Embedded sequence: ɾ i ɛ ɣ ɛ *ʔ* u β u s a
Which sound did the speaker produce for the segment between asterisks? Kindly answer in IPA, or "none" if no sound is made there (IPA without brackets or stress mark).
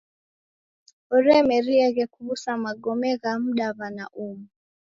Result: k